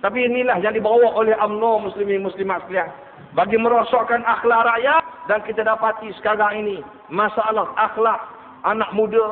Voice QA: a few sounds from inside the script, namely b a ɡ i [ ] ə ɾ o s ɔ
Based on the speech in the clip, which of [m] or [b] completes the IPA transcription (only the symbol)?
m